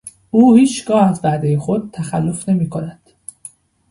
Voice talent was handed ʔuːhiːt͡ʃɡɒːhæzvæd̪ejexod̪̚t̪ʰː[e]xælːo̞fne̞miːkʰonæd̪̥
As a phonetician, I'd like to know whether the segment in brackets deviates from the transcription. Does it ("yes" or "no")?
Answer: yes